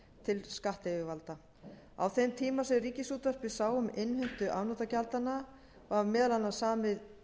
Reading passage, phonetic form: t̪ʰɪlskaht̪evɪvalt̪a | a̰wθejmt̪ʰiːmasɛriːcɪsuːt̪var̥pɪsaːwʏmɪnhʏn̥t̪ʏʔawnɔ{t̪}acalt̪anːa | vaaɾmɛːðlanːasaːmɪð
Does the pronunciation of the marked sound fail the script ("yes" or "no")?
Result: no